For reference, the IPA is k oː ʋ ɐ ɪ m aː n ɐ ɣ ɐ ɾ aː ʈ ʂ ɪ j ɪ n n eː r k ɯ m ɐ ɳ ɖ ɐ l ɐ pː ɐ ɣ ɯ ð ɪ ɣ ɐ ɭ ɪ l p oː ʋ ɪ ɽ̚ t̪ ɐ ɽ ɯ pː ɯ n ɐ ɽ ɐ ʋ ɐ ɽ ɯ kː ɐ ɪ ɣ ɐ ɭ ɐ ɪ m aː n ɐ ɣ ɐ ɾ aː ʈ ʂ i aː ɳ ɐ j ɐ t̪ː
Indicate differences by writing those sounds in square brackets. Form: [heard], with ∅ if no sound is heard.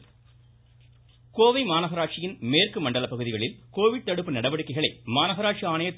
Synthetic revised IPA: k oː ʋ ɐ ɪ m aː n ɐ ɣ ɐ ɾ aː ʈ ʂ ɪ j ɪ n [m] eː r k ɯ m ɐ ɳ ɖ ɐ l ɐ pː ɐ ɣ ɯ ð ɪ ɣ ɐ ɭ ɪ l [k] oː ʋ ɪ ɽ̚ t̪ ɐ ɽ ɯ pː ɯ n ɐ ɽ ɐ ʋ ɐ ɽ ɯ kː ɐ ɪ ɣ ɐ ɭ ɐ ɪ m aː n ɐ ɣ ɐ ɾ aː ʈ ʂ i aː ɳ ɐ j ɐ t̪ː